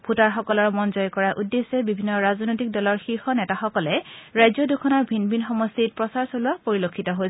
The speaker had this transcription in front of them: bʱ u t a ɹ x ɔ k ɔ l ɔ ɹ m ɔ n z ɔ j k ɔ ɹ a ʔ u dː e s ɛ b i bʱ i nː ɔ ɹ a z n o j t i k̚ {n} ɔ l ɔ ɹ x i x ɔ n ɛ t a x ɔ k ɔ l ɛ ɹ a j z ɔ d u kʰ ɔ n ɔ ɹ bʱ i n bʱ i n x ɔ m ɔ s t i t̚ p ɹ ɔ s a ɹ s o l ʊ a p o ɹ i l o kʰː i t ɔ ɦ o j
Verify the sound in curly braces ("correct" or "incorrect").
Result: incorrect